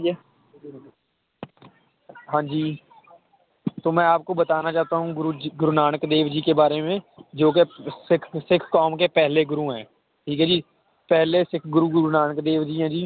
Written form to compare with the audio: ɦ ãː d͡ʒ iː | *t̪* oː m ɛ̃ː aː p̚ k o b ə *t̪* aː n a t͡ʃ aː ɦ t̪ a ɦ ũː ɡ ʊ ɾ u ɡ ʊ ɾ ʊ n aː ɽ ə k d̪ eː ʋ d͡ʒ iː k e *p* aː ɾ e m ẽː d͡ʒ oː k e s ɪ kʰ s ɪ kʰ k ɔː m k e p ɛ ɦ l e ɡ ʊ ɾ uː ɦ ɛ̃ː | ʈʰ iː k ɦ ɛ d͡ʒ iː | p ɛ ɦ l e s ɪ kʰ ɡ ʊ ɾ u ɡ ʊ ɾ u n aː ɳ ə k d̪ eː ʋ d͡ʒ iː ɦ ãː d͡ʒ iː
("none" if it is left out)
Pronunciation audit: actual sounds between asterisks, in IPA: t̪, t̪, b

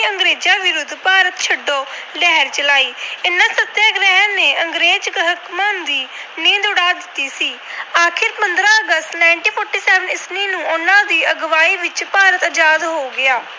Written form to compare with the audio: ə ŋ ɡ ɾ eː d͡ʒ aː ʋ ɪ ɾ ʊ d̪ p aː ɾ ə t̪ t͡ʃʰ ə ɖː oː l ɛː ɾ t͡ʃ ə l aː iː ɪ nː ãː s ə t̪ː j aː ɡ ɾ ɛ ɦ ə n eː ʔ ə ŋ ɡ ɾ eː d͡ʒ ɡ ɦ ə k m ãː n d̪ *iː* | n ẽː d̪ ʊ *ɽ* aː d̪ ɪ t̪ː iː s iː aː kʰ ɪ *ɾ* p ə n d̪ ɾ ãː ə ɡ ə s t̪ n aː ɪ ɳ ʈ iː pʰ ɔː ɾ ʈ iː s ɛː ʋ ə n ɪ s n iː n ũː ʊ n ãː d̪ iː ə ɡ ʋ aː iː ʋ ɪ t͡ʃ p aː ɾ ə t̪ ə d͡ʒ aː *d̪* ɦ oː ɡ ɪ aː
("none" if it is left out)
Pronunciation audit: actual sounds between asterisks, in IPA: iː, ɽ, ɾ, d̪

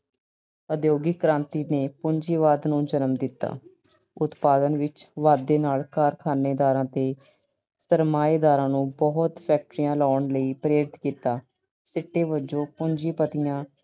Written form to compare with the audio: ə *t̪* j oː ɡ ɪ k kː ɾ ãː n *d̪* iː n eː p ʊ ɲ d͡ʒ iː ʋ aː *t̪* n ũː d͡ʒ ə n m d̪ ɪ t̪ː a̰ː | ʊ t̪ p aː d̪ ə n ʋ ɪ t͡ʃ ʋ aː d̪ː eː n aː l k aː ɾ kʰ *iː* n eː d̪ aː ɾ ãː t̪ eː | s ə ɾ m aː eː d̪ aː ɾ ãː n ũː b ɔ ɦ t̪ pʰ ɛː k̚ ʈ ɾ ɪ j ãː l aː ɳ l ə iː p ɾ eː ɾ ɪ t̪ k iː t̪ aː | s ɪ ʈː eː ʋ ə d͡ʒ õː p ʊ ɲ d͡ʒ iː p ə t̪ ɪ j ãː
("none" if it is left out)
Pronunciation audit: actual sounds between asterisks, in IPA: d̪, t̪, d̪, aː

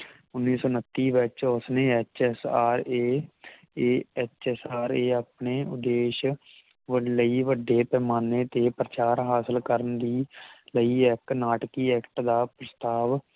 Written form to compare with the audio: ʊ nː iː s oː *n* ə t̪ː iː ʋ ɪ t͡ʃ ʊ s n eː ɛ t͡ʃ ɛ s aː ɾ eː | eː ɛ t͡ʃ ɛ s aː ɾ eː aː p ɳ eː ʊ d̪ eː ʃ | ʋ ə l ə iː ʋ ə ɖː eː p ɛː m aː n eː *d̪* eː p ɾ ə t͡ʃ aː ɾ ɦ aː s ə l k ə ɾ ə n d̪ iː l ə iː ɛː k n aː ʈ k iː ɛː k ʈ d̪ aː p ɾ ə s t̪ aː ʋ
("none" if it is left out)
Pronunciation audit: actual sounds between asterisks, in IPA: n, t̪

